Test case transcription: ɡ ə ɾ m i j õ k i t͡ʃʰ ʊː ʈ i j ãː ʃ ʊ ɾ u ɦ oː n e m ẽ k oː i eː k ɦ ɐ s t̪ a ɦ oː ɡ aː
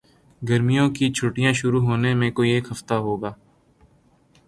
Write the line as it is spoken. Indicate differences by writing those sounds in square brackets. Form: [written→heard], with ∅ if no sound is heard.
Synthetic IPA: ɡ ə ɾ m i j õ k i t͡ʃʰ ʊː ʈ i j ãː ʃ ʊ ɾ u ɦ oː n e m ẽ k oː i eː k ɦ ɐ [s→f] t̪ a ɦ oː ɡ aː